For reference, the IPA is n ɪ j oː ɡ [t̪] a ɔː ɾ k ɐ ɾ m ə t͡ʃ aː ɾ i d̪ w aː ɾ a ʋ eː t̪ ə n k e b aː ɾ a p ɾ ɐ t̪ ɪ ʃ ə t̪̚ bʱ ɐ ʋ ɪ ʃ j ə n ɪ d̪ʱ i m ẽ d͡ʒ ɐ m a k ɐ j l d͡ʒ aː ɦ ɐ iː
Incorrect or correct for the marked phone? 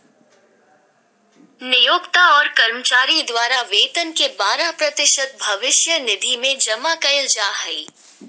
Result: correct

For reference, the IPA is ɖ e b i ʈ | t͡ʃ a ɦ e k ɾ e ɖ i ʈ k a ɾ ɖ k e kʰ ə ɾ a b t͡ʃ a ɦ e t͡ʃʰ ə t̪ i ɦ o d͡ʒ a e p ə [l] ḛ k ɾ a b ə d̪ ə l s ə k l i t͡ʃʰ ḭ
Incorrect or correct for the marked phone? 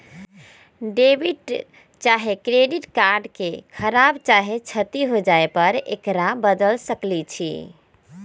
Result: incorrect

